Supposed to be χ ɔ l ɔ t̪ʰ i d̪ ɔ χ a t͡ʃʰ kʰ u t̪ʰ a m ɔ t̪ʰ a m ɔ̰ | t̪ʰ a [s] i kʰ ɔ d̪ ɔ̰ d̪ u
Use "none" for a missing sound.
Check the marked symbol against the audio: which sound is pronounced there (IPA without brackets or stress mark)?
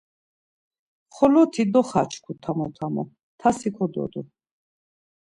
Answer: s